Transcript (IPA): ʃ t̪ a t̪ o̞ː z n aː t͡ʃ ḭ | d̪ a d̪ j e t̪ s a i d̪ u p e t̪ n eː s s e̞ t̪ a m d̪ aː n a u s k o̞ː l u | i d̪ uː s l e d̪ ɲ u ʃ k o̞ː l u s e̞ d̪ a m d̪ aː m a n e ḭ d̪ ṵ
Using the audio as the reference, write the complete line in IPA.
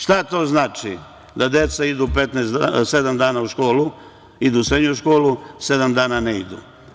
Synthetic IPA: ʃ t̪ a t̪ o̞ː z n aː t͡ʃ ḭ | d̪ a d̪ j e t̪ s a i d̪ u p e t̪ n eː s s e̞ d̪ a m d̪ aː n a u ʃ k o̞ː l u | i d̪ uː s ɾ e d̪ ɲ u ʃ k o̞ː l u s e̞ d̪ a m d̪ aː n a n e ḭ d̪ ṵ